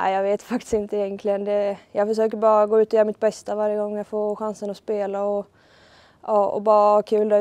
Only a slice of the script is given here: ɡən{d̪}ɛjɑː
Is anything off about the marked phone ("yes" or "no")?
no